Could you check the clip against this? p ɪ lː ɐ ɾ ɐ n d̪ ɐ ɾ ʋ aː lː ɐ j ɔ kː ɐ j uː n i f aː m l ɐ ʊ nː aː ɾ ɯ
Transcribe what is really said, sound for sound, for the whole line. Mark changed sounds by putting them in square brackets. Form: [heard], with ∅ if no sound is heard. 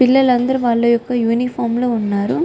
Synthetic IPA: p ɪ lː ɐ [l] ɐ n d̪ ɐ ɾ ʋ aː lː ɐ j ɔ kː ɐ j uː n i f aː m l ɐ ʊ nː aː ɾ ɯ